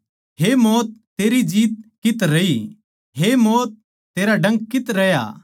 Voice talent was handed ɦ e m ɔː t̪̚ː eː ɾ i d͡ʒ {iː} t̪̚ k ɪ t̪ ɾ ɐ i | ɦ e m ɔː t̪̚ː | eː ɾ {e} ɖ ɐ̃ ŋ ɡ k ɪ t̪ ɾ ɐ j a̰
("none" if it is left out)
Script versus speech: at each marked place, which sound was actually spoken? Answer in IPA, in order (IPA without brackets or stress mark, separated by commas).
iː, a